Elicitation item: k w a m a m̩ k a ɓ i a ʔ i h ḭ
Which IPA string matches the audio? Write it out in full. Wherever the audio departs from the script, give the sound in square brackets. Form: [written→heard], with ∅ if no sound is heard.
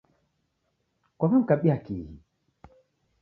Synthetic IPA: k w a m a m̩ k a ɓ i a [ʔ→k] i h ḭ